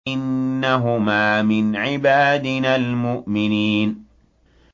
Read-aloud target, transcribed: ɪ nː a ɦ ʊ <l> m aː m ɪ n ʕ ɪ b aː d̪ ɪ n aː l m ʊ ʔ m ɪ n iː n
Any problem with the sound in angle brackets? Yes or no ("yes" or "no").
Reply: yes